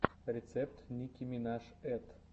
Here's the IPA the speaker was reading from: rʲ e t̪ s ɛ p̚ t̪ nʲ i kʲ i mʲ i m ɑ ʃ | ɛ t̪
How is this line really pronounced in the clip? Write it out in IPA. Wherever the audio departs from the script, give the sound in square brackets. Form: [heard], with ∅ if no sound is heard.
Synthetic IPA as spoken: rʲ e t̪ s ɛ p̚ t̪ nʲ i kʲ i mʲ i [n] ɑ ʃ | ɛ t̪